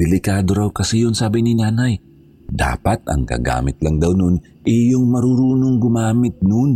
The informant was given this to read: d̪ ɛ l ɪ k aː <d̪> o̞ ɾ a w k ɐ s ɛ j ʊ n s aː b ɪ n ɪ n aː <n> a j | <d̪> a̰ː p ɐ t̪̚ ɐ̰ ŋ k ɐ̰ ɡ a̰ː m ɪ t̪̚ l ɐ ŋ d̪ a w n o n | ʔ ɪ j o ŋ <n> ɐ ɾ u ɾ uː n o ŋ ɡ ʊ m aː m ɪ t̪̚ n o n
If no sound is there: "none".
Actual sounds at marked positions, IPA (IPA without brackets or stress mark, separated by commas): d̪, n, d̪, m